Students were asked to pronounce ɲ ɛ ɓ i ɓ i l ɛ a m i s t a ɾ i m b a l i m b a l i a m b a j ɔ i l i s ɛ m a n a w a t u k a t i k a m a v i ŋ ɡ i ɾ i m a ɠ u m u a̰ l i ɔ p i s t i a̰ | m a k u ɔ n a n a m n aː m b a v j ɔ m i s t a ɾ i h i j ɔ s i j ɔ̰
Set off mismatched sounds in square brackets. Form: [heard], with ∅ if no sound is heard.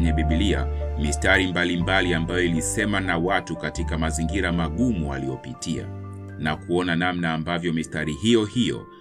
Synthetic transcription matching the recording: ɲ ɛ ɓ i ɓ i l [i] a m i s t a ɾ i m b a l i m b a l i a m b a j ɔ i l i s ɛ m a n a w a t u k a t i k a m a [z] i ŋ ɡ i ɾ [a] m a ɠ u m u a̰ l i ɔ p i [∅] t i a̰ | [n] a k u ɔ n a n a m n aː m b a v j ɔ m i s t a ɾ i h i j ɔ [h] i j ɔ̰